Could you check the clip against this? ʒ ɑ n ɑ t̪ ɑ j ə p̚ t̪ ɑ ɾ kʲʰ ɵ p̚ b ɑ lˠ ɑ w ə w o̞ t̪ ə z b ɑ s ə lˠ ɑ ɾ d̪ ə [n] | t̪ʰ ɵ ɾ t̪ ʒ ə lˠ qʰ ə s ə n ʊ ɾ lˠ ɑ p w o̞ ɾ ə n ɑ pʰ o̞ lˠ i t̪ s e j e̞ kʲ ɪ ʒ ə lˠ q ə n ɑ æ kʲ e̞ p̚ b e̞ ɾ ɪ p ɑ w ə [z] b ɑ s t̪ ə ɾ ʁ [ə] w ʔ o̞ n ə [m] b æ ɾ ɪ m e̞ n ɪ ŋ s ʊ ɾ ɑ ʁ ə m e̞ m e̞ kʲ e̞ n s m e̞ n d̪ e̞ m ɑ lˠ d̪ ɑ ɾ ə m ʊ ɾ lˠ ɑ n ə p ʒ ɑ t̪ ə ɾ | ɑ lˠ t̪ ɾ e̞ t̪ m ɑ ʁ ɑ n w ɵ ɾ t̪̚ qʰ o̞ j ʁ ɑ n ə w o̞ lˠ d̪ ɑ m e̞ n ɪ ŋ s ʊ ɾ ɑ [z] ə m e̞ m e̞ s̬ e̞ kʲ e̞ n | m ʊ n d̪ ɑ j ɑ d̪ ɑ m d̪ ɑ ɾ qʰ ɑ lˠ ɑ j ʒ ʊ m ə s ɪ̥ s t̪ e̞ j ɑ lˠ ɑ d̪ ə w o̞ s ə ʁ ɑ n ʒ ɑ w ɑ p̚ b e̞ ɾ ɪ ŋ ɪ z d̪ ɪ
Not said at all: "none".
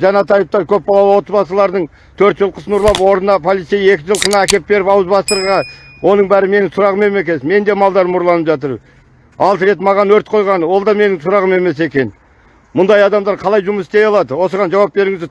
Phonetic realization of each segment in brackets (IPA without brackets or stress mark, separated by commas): ɴ, z, ɑ, ɴ, ʁ